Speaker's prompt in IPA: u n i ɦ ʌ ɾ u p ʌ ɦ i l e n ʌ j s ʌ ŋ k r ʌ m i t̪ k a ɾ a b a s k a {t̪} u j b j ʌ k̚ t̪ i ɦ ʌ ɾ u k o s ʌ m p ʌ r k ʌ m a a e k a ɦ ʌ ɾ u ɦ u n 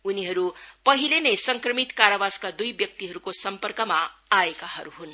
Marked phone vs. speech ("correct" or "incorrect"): incorrect